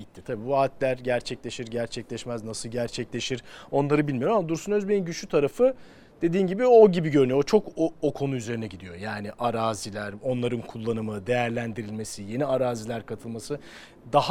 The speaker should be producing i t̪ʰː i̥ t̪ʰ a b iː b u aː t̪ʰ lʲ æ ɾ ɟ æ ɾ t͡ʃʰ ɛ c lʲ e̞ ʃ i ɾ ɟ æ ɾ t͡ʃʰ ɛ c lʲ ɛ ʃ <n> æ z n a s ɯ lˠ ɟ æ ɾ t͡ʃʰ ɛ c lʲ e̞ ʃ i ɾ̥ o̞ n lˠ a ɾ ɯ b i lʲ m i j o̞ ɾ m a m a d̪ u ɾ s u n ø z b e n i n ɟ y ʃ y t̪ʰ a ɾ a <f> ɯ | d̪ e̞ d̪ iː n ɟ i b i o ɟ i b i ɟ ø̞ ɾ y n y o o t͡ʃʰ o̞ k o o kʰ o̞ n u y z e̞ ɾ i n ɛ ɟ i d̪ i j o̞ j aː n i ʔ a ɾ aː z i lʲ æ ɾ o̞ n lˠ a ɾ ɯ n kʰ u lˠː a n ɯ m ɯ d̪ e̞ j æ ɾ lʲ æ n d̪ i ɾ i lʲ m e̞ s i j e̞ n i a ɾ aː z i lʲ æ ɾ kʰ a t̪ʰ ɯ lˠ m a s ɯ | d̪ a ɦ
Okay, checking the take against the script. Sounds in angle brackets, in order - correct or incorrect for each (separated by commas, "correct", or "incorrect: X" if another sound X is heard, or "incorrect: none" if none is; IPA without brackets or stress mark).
incorrect: m, correct